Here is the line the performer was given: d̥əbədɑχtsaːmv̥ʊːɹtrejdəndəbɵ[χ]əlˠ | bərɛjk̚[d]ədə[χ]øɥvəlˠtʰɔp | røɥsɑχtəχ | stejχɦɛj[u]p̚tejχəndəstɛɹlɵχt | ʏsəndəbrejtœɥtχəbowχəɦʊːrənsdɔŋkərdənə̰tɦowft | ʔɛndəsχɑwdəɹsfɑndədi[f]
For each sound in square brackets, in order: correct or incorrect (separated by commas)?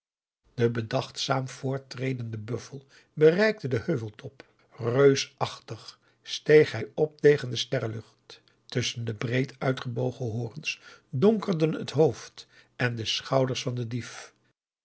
incorrect, incorrect, incorrect, incorrect, correct